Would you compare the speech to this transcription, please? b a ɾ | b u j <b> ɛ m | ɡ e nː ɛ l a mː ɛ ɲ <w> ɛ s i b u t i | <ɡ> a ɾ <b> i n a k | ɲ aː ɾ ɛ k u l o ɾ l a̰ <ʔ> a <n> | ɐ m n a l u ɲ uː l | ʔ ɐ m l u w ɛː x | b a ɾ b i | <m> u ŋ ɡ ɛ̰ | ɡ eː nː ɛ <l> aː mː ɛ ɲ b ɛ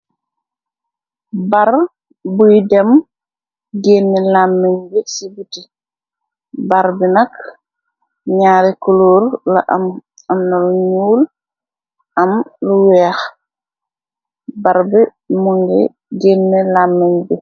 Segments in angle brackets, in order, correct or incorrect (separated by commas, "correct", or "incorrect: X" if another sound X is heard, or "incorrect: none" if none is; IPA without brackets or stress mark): incorrect: d, incorrect: b, incorrect: b, correct, correct, incorrect: m, correct, correct